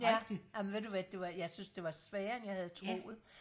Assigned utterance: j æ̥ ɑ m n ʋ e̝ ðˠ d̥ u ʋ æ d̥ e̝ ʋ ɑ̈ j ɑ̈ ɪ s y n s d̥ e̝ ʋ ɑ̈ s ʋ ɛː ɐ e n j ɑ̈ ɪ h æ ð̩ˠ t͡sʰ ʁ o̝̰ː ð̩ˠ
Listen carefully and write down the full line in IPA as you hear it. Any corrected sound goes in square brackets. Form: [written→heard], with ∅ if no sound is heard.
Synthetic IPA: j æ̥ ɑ m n ʋ e̝ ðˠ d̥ u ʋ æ d̥ e̝ ʋ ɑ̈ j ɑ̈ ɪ s y n s d̥ e̝ ʋ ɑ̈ s ʋ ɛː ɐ e n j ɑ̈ ɪ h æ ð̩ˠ t͡sʰ ʁ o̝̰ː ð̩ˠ